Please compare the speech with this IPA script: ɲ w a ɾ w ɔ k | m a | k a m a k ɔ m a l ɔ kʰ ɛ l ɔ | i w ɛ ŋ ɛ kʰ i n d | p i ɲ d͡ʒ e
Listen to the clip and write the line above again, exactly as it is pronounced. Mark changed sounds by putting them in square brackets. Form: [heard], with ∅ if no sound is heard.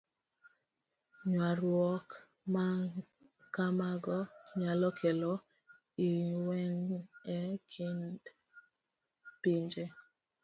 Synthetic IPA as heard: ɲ w a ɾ w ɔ k | m a | k a m a [ɡ] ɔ [ɲ] a l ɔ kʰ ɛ l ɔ | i w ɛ ŋ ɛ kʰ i n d | p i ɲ d͡ʒ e